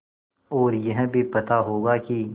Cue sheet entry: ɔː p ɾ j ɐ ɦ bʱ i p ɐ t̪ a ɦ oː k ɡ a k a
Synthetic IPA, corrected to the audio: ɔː ɾ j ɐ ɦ bʱ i p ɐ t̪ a ɦ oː ɡ a k i